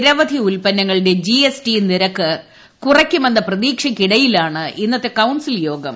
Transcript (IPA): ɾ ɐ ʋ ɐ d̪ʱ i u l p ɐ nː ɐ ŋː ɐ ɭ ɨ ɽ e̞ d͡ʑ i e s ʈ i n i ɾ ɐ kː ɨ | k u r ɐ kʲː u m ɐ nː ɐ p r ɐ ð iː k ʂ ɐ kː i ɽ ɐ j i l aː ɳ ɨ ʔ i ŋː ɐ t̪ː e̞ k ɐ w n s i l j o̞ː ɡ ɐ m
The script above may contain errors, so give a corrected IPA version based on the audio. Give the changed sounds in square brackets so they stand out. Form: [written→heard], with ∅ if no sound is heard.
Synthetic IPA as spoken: ɾ ɐ ʋ ɐ d̪ʱ i u l p ɐ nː ɐ ŋː ɐ ɭ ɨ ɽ e̞ d͡ʑ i e s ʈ i n i ɾ ɐ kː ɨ | k u r ɐ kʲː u m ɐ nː ɐ p r ɐ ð iː k ʂ ɐ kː i ɽ ɐ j i l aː ɳ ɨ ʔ i [ŋː→nː] ɐ t̪ː e̞ k ɐ w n s i l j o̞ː ɡ ɐ m